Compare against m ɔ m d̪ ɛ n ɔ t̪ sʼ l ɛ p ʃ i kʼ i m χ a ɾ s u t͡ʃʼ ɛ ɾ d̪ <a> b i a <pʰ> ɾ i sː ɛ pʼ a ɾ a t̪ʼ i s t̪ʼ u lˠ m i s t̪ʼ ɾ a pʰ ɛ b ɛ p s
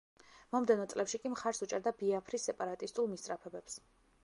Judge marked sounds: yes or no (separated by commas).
yes, yes